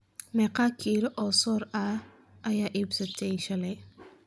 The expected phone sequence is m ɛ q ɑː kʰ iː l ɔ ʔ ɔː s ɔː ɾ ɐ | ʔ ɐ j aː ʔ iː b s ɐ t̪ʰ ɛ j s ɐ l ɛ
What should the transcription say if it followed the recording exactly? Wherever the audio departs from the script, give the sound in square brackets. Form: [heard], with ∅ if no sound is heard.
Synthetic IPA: m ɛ q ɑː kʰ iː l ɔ ʔ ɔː s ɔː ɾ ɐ | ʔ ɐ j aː ʔ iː b s ɐ t̪ʰ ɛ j [ʃ] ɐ l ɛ